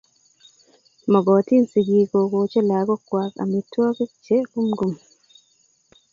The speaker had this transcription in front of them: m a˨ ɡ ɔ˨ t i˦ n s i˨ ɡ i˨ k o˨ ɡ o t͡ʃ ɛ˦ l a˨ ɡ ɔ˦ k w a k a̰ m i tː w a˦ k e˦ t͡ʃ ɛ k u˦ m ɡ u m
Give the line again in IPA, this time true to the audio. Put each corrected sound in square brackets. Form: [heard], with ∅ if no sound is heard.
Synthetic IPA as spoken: m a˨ ɡ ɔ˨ t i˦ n s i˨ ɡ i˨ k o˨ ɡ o t͡ʃ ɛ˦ l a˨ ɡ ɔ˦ k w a k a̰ m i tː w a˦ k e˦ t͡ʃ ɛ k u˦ m ɡ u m